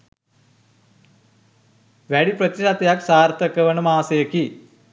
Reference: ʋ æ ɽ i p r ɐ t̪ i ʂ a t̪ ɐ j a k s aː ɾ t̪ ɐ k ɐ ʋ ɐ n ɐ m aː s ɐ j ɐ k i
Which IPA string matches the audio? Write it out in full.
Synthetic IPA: ʋ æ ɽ i p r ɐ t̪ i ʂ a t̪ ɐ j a k s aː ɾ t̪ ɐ k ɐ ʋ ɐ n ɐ m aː s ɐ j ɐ k i